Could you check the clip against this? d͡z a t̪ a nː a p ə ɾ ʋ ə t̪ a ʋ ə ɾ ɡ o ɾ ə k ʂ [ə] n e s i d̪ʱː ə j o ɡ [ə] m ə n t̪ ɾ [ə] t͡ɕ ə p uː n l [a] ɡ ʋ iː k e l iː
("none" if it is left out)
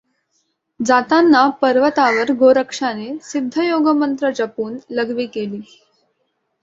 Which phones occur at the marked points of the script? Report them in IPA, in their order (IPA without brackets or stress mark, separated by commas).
a, ə, ə, ə